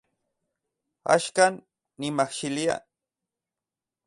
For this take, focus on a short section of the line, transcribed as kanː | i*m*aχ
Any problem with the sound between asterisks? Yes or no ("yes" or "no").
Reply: no